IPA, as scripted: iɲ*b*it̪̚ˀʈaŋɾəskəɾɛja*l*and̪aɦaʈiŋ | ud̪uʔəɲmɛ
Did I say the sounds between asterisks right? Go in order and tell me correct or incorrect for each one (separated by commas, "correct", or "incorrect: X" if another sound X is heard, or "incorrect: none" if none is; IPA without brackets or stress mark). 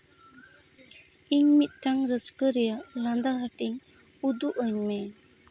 incorrect: m, correct